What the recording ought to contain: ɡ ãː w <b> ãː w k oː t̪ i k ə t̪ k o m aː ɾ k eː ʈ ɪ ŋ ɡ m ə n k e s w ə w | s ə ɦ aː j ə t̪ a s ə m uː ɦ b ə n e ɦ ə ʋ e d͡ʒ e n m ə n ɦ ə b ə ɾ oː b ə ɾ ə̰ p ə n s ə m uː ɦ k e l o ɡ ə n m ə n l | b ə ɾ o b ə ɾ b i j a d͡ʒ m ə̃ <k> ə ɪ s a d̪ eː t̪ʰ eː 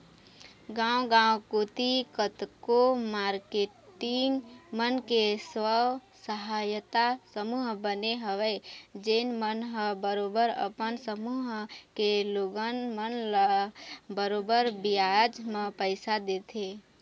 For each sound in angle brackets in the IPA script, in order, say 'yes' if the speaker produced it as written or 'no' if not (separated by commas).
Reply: no, no